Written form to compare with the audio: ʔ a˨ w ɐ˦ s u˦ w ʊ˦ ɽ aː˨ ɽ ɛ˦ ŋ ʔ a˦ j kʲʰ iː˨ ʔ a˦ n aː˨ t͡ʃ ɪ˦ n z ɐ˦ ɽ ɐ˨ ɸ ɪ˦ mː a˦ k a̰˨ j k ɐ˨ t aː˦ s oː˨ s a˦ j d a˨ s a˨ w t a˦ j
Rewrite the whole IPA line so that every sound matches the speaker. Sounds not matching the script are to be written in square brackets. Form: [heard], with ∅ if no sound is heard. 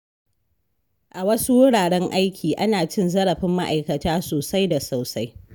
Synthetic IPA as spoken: ʔ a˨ w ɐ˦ s u˦ w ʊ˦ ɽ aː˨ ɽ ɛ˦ ŋ ʔ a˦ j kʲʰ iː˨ ʔ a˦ n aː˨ t͡ʃ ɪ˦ n z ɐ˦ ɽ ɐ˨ ɸ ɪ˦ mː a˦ [ʔ] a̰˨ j k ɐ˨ t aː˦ s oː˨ s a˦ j d a˨ s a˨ w [s] a˦ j